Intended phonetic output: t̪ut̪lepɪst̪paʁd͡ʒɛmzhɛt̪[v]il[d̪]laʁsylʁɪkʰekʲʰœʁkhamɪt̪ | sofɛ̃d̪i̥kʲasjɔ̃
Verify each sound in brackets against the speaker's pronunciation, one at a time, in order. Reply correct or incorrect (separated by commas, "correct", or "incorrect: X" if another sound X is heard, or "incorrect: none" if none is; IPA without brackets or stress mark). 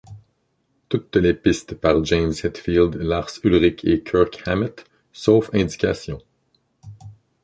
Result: incorrect: f, correct